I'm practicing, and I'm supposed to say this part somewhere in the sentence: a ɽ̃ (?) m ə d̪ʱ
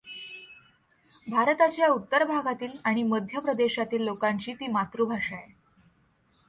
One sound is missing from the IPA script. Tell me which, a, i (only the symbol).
i